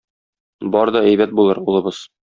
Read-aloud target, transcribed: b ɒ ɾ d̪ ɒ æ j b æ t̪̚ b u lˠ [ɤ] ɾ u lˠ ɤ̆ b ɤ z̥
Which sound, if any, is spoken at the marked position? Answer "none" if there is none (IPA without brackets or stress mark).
ɤ